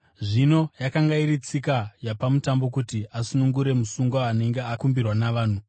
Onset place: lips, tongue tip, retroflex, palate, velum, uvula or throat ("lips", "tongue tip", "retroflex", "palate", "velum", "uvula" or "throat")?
retroflex